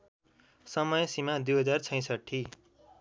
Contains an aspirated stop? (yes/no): yes